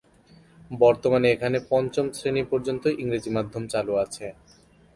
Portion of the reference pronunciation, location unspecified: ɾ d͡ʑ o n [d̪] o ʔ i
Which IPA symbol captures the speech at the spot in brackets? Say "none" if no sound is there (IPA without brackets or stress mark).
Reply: t̪